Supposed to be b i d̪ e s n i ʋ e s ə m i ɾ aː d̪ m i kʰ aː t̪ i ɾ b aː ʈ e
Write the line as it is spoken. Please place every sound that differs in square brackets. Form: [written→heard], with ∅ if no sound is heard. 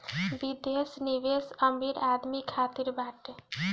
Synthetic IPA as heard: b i d̪ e s n i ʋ e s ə m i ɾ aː d̪ m i kʰ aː t̪ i ɾ b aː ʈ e